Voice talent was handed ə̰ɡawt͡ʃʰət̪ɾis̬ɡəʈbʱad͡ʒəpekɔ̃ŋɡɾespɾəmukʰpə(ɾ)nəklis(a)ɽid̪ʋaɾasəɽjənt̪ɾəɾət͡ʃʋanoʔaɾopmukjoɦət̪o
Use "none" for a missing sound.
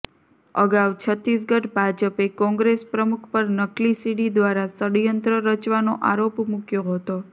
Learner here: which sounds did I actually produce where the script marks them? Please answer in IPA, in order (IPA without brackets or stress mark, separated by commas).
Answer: ɾ, i